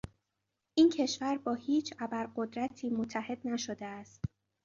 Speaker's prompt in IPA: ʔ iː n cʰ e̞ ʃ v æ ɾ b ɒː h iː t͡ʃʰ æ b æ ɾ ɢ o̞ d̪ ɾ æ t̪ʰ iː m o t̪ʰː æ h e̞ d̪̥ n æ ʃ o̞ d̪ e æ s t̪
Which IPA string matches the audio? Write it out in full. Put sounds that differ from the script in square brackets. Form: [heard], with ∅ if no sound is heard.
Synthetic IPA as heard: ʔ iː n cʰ e̞ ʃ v æ ɾ b ɒː h iː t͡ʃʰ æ b æ ɾ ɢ o̞ d̪ ɾ æ t̪ʰ iː m o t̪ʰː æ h e̞ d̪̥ n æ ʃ o̞ d̪ e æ s t̪